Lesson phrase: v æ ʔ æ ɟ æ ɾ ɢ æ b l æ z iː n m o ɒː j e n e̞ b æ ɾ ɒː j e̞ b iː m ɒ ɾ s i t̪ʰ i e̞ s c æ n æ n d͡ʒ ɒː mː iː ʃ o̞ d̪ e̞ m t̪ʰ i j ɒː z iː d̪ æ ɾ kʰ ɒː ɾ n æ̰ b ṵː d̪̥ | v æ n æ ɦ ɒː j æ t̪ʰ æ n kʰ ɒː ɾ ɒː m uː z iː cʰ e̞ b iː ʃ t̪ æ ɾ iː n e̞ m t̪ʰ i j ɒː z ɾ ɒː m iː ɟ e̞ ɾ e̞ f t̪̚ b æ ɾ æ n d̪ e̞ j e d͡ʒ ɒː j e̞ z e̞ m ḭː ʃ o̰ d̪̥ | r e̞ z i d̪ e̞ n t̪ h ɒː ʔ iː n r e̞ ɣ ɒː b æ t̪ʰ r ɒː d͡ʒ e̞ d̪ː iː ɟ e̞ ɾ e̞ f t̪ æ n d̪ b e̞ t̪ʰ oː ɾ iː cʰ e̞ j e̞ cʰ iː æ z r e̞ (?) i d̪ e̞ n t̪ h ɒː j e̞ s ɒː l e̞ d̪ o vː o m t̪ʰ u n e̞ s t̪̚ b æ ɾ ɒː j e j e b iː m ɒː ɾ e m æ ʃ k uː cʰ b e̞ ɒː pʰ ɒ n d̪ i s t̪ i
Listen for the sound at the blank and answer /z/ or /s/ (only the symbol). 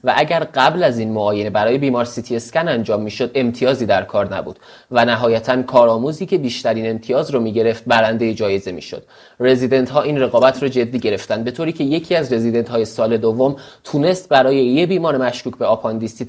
z